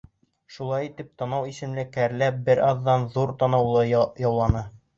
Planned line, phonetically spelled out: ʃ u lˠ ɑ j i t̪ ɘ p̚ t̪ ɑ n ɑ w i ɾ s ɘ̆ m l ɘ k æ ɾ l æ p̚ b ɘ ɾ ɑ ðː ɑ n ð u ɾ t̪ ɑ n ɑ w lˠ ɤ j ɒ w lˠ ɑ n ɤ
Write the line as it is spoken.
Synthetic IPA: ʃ u lˠ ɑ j i t̪ ɘ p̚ t̪ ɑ n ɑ w i s ɘ̆ m l ɘ k æ ɾ l æ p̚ b ɘ ɾ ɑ ðː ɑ n ð u ɾ t̪ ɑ n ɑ w lˠ ɤ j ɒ w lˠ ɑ n ɤ